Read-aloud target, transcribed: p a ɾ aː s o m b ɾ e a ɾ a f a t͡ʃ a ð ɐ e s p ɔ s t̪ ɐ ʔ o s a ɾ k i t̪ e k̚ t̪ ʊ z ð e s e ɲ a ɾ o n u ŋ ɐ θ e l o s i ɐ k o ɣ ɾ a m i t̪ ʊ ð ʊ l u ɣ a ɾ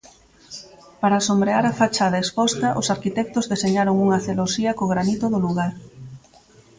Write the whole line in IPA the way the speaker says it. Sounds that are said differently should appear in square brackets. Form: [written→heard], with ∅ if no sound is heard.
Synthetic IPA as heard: p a ɾ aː s o m b ɾ e a ɾ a f a t͡ʃ a ð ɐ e s p ɔ s t̪ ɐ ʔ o s a ɾ k i t̪ [e→ɛ] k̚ t̪ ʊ z ð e s e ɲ a ɾ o [n→ŋ] u ŋ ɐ θ e l o s i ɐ k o ɣ ɾ a [m→n] i t̪ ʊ ð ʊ l u ɣ a ɾ